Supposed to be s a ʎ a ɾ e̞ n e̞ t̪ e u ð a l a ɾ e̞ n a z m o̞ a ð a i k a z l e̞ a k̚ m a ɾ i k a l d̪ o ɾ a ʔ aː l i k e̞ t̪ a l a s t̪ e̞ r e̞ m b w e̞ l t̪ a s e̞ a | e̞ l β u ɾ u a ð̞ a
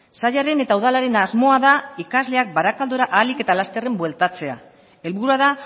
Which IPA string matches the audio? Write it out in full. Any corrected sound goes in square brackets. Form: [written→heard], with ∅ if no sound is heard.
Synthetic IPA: s a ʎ a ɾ e̞ n e̞ t̪ [e→a] u ð a l a ɾ e̞ n a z m o̞ a ð a i k a z l e̞ a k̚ [m→b] a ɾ [i→a] k a l d̪ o ɾ a ʔ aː l i k e̞ t̪ a l a s t̪ e̞ r e̞ m b w e̞ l t̪ a [s→t͡s] e̞ a | e̞ l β u ɾ u a ð̞ a